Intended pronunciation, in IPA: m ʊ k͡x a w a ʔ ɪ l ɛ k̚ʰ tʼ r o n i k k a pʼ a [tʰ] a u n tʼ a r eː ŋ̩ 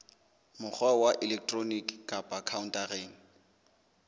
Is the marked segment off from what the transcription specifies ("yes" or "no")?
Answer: yes